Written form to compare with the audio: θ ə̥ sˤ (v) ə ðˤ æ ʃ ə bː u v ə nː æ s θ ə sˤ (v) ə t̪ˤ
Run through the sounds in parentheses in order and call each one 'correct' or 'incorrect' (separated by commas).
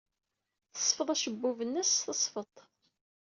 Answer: incorrect, incorrect